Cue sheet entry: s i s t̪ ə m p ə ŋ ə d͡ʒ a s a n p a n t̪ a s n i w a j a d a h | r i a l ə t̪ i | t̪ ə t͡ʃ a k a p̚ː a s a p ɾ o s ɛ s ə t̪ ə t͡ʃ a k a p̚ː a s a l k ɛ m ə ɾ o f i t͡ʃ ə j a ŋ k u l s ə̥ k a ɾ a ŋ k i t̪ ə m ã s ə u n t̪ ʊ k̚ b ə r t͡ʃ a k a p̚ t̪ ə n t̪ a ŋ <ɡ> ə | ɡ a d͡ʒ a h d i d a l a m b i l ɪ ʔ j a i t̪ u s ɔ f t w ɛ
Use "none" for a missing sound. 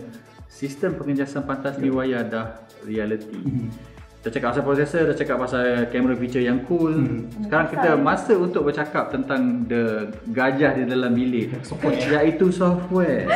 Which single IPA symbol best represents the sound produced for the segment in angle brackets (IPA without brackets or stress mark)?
d